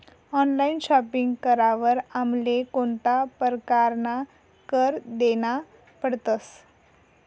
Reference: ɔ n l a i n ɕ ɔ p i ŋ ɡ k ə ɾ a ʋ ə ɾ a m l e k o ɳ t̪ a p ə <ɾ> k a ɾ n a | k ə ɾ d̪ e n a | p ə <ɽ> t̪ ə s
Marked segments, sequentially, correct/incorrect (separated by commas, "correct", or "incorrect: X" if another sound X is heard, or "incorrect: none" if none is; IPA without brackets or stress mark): correct, correct